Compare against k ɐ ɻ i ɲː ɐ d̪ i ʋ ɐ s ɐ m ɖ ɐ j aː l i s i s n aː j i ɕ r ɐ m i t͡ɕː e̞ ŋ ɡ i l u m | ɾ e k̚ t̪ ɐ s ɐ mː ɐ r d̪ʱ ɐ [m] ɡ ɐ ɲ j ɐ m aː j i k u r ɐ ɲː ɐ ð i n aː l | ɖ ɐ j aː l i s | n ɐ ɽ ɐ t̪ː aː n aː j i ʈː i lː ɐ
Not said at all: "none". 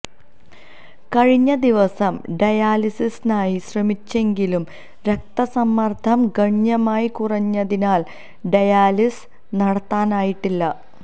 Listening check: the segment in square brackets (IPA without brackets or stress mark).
m